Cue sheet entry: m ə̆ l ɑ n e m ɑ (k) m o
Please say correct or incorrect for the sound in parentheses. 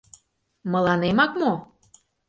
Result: correct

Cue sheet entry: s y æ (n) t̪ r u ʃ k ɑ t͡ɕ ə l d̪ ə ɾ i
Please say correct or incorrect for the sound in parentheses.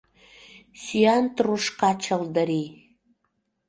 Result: correct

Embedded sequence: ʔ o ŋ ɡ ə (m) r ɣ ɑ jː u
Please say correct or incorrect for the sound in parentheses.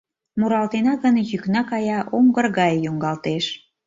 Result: incorrect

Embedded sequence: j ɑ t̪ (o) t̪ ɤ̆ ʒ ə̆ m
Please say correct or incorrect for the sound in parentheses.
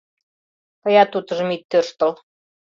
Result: incorrect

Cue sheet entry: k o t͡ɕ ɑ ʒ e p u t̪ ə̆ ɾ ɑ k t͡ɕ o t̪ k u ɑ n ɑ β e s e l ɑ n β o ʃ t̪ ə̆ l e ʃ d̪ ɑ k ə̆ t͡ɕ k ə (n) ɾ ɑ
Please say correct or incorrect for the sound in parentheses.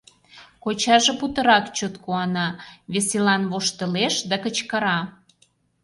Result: incorrect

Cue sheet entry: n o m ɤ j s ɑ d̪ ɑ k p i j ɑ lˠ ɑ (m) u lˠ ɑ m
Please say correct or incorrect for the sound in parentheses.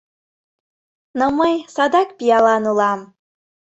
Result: incorrect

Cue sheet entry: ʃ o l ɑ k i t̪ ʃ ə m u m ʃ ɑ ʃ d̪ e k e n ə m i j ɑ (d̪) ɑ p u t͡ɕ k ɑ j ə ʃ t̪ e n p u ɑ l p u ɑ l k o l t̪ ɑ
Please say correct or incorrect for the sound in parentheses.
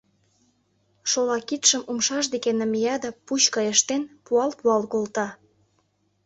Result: correct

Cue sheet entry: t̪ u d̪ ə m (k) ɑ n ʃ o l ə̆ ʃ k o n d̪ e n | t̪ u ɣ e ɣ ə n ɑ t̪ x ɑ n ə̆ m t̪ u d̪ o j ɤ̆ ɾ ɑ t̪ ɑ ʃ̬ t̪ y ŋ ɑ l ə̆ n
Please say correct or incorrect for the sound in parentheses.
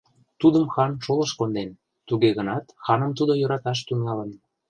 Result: incorrect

